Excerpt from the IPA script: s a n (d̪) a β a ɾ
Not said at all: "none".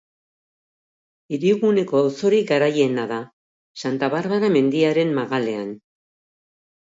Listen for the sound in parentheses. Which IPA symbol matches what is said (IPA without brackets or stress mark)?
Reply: t̪